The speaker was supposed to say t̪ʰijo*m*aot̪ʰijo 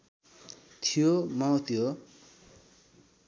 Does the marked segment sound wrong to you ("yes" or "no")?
no